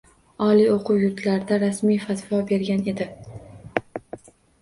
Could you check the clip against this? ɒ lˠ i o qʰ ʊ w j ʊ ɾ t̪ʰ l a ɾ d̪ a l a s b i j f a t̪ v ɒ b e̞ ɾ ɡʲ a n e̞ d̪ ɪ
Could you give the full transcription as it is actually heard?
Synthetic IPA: ɒ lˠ i o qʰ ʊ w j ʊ ɾ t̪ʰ l a ɾ d̪ a ɾ a s m i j f a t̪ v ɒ b e̞ ɾ ɡʲ a n e̞ d̪ ɪ

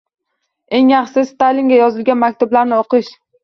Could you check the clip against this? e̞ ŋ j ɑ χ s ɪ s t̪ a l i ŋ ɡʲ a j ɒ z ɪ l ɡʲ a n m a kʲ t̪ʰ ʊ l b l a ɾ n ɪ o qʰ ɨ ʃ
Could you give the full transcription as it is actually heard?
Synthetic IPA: e̞ ŋ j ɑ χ s ɪ s t̪ a l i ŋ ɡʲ a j ɒ z ɪ l ɡʲ a n m a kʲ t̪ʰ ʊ b l a ɾ n ɪ o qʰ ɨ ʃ

